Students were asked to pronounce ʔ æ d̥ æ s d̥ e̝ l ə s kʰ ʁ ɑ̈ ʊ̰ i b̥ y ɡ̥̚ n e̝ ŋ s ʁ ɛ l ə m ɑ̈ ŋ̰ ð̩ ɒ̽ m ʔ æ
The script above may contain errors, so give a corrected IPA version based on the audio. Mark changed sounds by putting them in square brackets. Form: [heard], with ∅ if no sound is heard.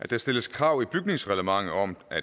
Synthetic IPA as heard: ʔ æ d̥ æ s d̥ e̝ l ə s kʰ ʁ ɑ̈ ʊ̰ i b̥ y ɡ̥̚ n e̝ ŋ s ʁ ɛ l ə m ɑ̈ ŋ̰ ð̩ ɒ̽ m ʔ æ